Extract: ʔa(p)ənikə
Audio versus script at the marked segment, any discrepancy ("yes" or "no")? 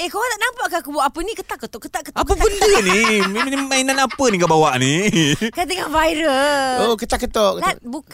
no